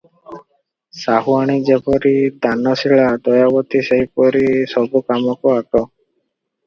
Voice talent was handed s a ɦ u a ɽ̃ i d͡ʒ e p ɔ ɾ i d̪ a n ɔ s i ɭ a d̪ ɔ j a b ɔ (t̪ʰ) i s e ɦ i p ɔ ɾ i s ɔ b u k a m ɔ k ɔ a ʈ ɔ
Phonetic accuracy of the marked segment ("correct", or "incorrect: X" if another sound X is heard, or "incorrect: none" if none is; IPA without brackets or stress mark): incorrect: t̪